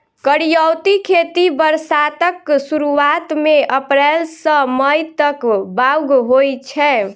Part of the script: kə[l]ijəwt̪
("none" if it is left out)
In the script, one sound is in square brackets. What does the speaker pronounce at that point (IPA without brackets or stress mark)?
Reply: ɽ